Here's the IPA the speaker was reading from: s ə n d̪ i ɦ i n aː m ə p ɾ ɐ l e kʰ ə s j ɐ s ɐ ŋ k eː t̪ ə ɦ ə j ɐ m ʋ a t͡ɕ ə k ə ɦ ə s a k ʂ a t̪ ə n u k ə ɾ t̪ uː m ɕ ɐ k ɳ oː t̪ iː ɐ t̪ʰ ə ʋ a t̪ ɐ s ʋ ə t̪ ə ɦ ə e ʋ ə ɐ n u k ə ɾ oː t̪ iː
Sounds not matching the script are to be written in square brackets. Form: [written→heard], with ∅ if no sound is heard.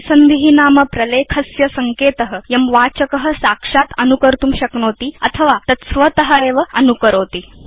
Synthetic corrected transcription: s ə n d̪ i ɦ i n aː m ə p ɾ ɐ l e kʰ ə s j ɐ s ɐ ŋ k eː t̪ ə ɦ ə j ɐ m ʋ a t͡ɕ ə k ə ɦ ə s a k ʂ a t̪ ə n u k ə ɾ t̪ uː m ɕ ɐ k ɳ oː t̪ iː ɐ t̪ʰ ə ʋ a t̪ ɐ s ʋ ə t̪ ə ɦ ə e ʋ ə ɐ n u k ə ɾ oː t̪ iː